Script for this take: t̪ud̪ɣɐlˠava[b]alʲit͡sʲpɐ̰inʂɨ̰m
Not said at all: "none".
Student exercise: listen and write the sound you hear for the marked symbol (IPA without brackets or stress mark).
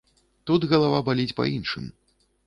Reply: b